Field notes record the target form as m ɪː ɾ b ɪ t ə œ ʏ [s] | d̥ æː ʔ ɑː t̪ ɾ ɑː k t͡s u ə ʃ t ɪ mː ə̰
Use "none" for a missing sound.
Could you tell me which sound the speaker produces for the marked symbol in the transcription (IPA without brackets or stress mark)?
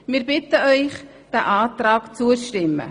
χ